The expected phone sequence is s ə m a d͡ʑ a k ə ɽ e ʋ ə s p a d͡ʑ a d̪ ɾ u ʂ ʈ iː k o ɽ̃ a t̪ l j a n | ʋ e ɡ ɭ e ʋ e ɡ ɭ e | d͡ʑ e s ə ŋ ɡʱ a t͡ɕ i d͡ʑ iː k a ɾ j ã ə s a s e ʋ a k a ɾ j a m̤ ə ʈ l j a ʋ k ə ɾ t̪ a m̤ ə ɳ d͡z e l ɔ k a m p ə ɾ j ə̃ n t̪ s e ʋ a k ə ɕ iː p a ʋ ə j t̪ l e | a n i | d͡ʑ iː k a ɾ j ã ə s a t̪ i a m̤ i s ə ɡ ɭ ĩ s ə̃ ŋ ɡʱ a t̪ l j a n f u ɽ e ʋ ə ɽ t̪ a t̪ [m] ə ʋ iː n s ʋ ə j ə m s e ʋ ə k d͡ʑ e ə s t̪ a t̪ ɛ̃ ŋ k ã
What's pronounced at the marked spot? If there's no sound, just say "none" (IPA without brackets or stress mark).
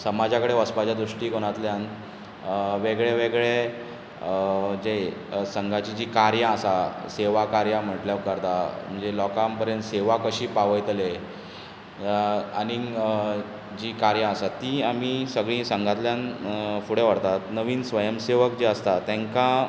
n